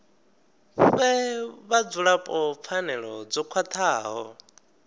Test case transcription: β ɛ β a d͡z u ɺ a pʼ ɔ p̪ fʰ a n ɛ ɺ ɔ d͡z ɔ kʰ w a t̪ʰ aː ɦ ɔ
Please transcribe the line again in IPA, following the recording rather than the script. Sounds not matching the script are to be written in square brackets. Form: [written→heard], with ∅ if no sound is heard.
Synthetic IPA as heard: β ɛ β a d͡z u ɺ a pʼ ɔ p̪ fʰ a n ɛ ɺ ɔ d͡z ɔ kʰ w a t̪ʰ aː ɦ ɔ

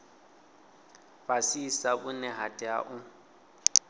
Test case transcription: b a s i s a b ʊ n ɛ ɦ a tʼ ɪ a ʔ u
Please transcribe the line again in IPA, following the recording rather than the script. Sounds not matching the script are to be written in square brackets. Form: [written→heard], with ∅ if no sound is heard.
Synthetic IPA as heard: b a s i s a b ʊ n ɛ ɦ a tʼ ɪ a ʔ [u→ʊ]

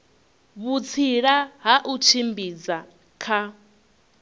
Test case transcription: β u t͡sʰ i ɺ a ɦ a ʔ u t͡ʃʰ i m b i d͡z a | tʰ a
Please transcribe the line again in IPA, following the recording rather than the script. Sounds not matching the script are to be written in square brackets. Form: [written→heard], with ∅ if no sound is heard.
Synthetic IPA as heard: β u t͡sʰ i ɺ a ɦ a ʔ u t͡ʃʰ i m b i d͡z a | [tʰ→kʰ] a

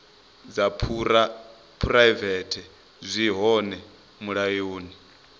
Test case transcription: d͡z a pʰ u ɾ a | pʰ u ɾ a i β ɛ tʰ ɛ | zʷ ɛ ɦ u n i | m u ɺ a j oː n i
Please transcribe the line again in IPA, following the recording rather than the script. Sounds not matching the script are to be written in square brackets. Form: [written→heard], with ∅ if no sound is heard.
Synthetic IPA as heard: d͡z a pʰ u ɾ a | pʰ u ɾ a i [β→v] ɛ tʰ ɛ | zʷ [ɛ→i] ɦ [u→ɔ] n [i→ɛ] | m u ɺ a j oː n i

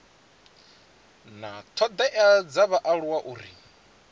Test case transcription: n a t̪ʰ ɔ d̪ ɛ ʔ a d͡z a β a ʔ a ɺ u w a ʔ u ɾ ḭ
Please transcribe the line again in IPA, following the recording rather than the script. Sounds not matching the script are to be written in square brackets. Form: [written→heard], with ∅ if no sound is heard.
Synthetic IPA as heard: n a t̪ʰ ɔ d̪ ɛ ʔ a d͡z a β a ʔ a ɺ u w a ʔ u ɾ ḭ

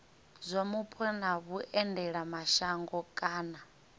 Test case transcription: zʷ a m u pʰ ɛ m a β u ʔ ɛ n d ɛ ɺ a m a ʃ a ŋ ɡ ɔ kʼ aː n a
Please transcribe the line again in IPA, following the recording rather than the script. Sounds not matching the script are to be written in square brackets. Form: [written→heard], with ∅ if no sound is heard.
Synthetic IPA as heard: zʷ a m u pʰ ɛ [m→n] a β u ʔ ɛ n d ɛ ɺ a m a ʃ a ŋ ɡ ɔ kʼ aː n a

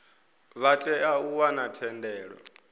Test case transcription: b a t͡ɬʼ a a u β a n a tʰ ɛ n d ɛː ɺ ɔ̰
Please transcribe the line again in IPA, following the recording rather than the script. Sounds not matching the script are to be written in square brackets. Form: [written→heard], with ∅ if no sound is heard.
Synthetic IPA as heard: [b→β] a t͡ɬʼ [a→ɛ] a u [β→w] a n a tʰ ɛ n d ɛː ɺ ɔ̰

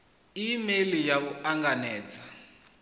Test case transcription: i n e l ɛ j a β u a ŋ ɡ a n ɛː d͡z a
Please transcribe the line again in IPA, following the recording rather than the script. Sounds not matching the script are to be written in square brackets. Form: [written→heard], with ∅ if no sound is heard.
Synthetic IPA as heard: i [n→m] e l [ɛ→i] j a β u a ŋ ɡ a n ɛː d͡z a

